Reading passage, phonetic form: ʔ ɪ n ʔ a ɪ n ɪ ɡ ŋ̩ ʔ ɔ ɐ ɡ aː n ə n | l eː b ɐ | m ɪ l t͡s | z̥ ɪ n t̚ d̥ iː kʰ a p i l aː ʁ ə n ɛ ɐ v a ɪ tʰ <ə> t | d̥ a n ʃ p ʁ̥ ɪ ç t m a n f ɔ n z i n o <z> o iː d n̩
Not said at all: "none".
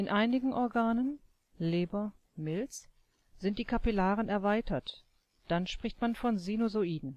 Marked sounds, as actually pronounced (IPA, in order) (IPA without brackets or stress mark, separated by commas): ɐ, z